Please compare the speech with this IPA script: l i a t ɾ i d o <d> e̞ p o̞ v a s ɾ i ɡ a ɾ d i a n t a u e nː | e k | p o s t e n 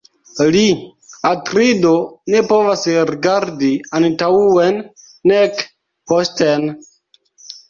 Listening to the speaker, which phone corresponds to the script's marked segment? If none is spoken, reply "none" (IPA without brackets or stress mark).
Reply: n